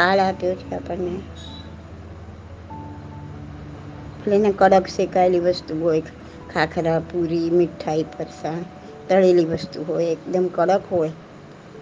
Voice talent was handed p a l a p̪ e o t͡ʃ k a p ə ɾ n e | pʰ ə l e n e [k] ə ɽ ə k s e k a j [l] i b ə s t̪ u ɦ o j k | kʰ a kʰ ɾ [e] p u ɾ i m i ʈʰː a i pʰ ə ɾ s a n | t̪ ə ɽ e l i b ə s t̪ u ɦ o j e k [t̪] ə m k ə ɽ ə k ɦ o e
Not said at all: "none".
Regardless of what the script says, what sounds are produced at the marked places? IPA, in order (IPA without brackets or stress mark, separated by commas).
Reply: k, l, a, d̪